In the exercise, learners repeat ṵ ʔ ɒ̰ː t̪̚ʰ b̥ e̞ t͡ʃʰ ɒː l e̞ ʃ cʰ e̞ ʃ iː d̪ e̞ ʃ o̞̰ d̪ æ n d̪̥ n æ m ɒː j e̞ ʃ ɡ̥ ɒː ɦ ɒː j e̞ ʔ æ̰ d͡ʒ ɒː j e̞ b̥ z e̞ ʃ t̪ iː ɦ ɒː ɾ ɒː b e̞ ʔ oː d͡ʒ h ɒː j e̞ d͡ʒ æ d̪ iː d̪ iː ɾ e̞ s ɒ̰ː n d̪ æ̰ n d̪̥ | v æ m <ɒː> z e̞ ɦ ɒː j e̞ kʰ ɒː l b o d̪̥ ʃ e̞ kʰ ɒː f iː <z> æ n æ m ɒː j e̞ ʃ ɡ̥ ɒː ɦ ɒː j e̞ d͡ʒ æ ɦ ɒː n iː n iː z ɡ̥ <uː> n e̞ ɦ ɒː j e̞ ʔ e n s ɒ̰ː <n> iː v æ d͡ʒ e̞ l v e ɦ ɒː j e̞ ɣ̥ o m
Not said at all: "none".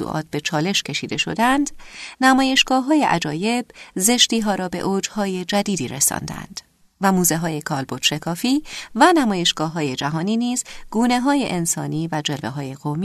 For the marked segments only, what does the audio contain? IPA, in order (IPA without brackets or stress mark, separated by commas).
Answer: uː, v, uː, n